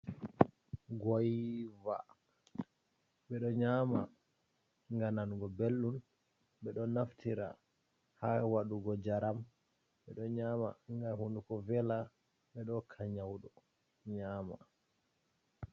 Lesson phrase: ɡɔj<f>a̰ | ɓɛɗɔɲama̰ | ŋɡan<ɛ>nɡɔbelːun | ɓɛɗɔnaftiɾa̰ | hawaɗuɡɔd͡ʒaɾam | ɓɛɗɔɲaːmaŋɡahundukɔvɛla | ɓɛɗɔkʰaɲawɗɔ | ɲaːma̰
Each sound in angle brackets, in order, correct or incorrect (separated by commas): incorrect, incorrect